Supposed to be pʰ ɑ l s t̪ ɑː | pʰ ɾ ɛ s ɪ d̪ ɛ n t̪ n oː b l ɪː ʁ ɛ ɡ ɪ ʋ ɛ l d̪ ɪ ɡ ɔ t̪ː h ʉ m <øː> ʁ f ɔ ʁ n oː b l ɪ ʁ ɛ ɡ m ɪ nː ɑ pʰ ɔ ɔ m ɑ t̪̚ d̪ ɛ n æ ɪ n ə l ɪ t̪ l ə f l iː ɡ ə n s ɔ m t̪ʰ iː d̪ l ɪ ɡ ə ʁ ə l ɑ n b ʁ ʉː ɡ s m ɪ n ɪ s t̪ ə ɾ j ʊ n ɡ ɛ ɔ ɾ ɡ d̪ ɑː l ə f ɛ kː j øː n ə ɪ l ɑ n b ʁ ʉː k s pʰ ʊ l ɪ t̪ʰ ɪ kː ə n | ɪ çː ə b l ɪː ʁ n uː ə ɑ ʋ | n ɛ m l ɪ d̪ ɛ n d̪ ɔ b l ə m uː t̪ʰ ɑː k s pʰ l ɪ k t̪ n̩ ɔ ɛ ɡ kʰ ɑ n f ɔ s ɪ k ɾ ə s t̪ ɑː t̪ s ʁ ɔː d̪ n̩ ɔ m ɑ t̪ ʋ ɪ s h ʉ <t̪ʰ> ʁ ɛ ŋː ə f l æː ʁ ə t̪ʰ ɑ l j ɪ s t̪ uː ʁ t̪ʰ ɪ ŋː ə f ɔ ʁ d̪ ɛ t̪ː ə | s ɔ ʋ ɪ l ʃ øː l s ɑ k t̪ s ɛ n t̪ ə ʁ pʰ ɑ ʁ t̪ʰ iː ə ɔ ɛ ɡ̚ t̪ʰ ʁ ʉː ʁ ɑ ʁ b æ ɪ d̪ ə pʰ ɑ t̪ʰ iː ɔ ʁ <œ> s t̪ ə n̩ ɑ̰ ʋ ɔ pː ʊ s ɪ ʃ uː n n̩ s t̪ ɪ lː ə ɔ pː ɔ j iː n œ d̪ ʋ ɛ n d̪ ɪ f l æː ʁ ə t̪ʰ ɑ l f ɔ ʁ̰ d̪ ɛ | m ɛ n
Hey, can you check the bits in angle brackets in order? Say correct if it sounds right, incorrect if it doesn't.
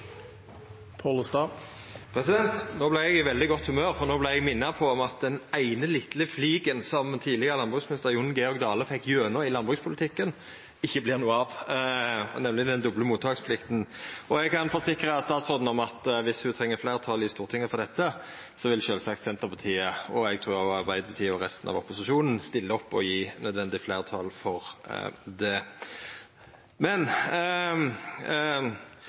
correct, correct, incorrect: ɛ

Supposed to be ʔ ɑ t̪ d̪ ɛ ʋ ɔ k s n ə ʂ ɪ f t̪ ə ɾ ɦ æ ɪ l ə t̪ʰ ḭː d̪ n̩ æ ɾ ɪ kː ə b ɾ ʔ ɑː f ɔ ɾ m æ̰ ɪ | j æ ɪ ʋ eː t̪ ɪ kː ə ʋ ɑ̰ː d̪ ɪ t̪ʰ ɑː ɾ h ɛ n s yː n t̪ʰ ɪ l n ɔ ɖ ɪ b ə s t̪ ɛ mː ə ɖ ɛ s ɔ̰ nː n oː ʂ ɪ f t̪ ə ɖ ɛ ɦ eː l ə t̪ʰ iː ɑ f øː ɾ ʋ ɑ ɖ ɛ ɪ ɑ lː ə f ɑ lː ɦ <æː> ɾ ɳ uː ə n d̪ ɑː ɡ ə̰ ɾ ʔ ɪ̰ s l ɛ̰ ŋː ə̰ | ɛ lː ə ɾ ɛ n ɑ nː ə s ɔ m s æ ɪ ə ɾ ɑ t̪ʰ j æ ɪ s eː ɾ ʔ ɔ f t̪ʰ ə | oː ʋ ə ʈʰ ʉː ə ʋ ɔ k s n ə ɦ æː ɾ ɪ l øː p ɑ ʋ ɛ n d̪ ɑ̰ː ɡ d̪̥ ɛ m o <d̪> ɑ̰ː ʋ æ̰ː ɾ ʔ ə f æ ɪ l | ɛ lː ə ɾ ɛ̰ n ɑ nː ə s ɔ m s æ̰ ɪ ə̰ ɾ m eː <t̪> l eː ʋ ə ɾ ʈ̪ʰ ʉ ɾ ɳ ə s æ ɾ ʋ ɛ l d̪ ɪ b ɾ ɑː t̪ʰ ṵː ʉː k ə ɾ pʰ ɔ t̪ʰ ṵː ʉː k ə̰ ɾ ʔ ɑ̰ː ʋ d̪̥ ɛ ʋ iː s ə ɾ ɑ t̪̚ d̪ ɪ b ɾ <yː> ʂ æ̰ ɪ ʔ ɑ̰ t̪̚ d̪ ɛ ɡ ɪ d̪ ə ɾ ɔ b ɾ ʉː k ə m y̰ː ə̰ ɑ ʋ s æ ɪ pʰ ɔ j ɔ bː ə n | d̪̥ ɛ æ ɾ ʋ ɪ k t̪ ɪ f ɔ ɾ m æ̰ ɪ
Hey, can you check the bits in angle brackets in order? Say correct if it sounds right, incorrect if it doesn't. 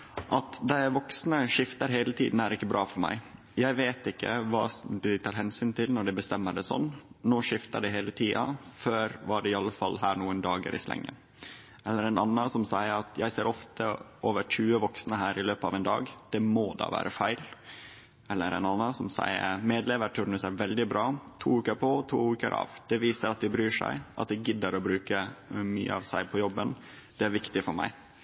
correct, correct, incorrect: d̪, correct

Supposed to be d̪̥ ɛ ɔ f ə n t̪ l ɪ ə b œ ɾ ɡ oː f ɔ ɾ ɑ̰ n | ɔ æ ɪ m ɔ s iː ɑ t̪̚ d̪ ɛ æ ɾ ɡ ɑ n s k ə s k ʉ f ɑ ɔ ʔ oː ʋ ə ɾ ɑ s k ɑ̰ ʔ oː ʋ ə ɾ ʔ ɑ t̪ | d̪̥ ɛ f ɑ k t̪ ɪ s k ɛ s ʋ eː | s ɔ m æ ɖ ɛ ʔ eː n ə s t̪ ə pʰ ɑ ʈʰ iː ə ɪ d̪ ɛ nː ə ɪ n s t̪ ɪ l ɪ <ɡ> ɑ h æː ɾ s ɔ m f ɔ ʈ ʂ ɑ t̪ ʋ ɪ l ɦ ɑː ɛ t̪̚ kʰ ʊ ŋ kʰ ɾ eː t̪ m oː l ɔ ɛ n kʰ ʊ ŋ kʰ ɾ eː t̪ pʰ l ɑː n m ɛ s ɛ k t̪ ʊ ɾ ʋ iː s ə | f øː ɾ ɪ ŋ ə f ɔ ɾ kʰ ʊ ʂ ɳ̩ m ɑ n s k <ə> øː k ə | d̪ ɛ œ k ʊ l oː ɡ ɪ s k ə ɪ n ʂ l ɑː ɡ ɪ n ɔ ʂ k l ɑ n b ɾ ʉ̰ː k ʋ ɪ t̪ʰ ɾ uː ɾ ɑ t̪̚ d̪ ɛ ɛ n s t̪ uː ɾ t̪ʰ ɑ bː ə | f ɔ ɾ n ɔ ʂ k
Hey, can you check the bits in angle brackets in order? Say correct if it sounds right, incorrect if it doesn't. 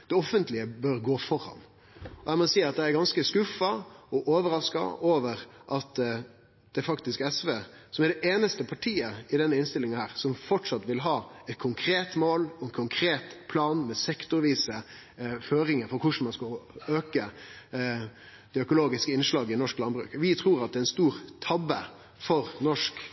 incorrect: ŋ, incorrect: ɑ

